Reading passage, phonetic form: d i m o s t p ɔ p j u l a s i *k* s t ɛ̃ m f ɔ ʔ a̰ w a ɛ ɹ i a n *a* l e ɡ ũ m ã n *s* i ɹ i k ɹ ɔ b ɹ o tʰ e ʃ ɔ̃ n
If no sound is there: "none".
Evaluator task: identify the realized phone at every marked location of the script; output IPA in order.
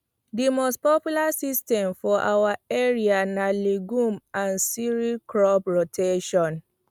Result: none, a, s

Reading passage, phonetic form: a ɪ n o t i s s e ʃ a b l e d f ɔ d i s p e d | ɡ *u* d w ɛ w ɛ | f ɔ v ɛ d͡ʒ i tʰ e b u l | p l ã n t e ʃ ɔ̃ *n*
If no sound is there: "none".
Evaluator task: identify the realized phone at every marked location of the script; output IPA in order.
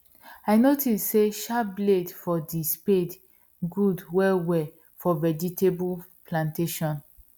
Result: u, n

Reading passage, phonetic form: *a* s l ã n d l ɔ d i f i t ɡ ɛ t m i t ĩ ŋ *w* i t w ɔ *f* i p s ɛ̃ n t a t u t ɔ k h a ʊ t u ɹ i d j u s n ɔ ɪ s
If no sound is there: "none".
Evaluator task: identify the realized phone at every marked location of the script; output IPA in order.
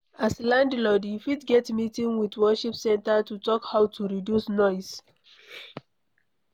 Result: a, w, ʃ

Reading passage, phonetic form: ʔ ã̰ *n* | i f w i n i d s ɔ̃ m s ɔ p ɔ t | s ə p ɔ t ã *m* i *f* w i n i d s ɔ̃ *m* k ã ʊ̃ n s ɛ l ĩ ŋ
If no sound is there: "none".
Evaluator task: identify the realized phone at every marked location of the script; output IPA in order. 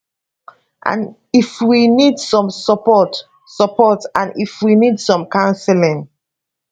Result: n, n, f, m

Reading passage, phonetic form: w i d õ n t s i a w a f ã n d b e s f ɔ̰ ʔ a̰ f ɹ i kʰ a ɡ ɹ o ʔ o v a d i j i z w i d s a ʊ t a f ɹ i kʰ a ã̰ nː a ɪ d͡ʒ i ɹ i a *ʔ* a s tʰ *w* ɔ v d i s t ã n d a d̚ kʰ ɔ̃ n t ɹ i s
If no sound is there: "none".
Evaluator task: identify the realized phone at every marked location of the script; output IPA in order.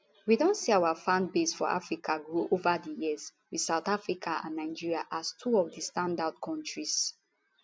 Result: ʔ, u

